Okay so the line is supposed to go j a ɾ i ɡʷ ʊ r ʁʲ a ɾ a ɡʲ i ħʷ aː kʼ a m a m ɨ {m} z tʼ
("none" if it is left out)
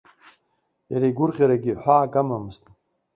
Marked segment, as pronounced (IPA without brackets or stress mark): none